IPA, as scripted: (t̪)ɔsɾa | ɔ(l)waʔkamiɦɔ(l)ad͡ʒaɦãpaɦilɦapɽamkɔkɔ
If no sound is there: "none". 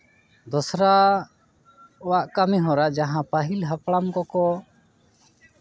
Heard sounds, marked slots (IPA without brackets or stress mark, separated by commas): d̪, none, ɾ